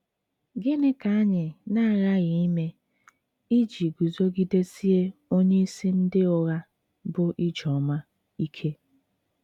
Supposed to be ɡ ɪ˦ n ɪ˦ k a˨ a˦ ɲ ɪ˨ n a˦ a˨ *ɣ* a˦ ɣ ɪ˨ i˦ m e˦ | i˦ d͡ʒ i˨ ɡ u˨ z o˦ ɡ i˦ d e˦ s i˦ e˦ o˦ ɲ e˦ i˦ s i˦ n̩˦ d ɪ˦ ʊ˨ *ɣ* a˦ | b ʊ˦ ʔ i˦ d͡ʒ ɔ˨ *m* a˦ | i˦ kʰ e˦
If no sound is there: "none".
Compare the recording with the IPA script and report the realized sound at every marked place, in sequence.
ɣ, ɣ, m

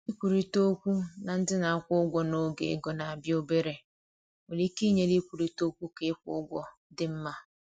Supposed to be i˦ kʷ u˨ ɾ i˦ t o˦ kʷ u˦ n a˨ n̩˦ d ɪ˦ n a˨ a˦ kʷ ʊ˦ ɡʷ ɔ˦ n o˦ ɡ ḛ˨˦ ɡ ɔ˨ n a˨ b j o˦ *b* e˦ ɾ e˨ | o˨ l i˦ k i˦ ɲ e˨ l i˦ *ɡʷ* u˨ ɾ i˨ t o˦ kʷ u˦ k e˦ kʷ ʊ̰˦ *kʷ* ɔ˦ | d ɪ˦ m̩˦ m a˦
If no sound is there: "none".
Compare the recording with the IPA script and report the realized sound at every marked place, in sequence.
b, kʷ, ɡʷ

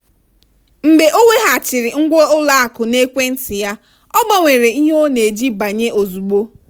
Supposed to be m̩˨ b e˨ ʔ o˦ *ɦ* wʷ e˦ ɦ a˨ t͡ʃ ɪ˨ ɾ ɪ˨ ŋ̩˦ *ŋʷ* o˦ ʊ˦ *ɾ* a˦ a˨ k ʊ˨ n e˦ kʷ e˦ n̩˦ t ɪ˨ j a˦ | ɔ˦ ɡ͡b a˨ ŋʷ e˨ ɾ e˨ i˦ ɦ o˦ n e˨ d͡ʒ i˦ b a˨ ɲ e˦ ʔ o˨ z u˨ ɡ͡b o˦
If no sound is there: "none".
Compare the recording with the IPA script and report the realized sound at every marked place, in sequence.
none, ɡʷ, l

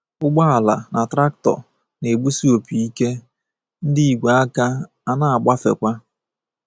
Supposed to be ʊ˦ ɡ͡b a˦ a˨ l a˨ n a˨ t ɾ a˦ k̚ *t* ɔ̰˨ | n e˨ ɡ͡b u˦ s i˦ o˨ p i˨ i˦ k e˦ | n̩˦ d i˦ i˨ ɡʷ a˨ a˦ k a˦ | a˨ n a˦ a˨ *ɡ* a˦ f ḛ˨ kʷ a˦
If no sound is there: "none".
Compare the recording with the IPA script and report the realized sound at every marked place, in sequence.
t, ɡ͡b

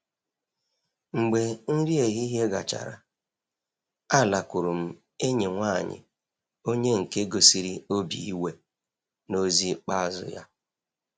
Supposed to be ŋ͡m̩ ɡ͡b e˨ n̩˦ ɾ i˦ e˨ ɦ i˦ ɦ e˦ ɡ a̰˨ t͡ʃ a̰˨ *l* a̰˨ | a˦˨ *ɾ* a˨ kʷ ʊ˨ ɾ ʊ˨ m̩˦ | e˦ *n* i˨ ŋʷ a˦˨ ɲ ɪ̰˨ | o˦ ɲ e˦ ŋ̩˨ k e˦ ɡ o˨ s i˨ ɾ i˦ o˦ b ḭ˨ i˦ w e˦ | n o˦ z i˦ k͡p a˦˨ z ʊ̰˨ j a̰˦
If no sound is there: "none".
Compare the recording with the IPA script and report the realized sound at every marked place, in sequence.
ɾ, l, ɲ

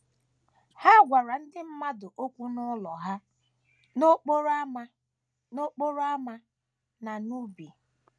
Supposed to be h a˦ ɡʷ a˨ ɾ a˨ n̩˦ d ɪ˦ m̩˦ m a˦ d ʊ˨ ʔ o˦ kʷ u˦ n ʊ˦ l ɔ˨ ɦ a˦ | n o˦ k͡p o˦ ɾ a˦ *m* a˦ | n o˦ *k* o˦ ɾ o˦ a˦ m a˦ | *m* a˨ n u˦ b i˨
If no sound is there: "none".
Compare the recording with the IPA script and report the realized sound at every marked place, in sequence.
m, k͡p, n

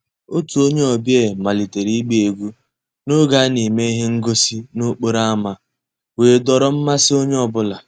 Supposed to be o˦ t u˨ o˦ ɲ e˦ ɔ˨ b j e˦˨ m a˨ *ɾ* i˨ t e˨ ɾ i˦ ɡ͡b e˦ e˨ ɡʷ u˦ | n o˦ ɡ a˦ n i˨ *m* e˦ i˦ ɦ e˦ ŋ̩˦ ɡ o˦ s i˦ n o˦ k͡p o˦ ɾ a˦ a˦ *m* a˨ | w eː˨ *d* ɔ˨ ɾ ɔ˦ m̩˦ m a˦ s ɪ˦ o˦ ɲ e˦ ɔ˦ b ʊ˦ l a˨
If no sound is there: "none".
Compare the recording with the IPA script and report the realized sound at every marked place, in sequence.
l, m, m, d

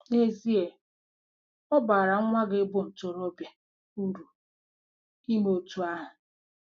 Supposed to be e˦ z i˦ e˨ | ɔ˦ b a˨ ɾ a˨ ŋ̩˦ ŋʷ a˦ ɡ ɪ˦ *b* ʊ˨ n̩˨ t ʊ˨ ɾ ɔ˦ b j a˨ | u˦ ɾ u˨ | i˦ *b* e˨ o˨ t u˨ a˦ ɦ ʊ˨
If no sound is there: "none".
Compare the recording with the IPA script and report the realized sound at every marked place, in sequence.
b, m

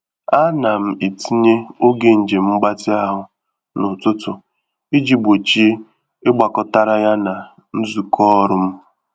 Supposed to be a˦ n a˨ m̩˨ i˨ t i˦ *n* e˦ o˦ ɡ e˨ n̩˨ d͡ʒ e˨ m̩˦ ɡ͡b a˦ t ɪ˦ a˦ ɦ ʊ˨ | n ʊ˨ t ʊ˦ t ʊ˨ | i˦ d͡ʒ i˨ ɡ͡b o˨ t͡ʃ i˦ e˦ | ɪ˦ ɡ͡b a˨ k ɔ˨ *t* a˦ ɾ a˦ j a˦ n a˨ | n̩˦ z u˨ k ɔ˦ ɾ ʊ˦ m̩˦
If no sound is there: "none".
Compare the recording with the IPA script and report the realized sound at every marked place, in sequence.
ɲ, t

